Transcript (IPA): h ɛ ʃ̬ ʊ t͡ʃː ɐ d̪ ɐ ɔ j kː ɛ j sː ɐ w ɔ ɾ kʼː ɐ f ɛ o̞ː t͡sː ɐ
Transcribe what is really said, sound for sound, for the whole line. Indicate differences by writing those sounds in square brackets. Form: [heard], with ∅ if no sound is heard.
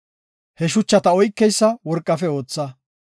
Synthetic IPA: h ɛ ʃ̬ ʊ t͡ʃː ɐ [t̪] ɐ ɔ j kː ɛ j sː ɐ w ɔ ɾ kʼː ɐ f ɛ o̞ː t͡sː ɐ